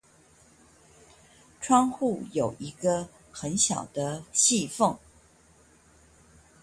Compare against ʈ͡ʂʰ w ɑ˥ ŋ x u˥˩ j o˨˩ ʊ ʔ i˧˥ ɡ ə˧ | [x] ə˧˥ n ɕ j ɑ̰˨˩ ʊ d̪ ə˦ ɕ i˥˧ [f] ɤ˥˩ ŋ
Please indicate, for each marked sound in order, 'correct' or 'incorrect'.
correct, correct

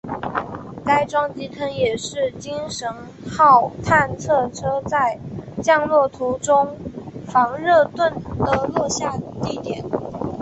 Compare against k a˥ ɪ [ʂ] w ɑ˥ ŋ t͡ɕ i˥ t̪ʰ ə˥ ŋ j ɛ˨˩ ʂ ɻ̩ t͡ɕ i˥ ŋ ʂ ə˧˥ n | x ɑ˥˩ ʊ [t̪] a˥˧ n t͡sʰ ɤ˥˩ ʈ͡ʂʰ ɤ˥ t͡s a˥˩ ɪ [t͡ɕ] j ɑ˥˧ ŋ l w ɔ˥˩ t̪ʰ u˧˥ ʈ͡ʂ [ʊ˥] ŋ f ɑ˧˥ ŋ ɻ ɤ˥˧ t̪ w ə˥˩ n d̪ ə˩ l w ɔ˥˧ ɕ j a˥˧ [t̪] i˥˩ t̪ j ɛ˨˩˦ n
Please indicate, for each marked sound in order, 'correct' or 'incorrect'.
incorrect: ʈ͡ʂ, incorrect: t̪ʰ, correct, correct, correct

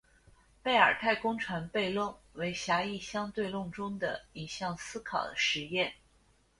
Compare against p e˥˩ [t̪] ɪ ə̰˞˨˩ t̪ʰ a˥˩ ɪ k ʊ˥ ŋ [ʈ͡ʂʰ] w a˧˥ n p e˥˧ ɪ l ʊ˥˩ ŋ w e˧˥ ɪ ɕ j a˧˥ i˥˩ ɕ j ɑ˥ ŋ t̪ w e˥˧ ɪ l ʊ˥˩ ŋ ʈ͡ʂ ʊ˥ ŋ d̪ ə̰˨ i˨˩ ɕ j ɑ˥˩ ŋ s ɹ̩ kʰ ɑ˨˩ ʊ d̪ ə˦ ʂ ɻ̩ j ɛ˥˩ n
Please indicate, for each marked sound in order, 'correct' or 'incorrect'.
incorrect: none, correct

